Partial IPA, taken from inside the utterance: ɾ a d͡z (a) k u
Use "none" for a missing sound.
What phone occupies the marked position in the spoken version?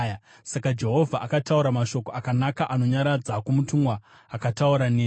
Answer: a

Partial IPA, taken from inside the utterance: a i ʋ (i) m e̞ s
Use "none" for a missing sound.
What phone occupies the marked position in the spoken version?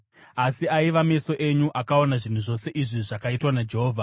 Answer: a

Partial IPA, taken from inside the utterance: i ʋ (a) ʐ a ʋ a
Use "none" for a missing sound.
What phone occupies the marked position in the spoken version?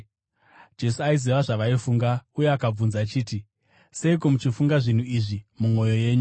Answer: a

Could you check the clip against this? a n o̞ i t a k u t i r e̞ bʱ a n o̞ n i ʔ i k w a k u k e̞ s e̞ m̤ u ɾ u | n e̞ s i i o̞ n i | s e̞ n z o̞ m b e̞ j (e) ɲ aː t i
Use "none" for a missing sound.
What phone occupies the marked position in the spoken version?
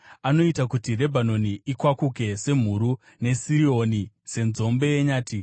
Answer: e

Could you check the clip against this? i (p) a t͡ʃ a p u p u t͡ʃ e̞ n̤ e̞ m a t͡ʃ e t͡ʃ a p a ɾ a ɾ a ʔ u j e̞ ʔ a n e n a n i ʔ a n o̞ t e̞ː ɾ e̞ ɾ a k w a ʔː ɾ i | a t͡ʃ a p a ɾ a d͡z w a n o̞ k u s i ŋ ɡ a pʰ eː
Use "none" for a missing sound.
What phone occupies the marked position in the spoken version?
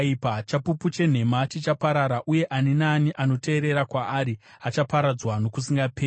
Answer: p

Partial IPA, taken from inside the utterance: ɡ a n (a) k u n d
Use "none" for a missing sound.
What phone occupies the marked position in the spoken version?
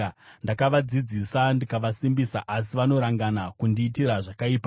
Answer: a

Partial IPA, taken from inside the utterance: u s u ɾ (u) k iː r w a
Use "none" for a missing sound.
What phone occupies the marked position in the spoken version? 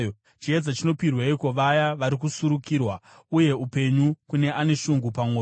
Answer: u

